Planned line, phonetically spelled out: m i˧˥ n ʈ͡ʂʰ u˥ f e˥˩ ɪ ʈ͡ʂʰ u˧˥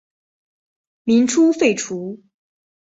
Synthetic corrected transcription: m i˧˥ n ʈ͡ʂʰ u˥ f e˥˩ ɪ ʈ͡ʂʰ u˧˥